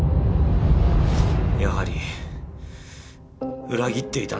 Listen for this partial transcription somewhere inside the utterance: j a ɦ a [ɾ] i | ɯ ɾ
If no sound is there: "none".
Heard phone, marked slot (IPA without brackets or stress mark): ɾ